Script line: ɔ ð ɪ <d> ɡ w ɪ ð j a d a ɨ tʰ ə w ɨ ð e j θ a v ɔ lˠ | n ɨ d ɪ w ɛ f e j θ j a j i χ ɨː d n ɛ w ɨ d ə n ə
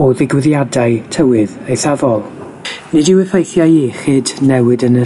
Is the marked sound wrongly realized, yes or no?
yes